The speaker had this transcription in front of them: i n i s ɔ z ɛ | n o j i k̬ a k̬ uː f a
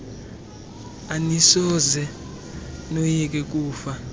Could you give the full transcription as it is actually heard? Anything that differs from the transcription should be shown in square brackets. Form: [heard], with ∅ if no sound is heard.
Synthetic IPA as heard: [a] n i s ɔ z ɛ | n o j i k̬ [ɛ] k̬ uː f a